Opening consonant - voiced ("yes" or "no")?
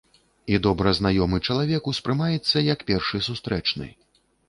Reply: yes